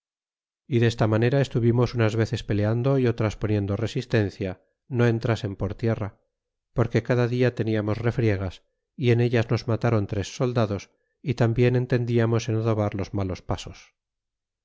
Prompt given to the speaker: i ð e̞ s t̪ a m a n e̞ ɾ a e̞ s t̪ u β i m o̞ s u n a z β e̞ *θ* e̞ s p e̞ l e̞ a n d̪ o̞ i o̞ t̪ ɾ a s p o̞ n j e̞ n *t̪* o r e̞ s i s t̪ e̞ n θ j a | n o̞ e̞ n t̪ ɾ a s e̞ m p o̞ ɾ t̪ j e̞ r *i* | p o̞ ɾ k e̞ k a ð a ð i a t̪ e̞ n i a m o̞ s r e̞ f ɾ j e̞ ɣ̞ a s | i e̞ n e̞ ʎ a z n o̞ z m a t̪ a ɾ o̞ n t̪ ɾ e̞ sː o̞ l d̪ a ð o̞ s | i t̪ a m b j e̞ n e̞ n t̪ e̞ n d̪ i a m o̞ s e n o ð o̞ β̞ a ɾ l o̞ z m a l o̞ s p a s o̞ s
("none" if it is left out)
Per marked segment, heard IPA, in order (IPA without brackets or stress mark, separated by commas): θ, d̪, a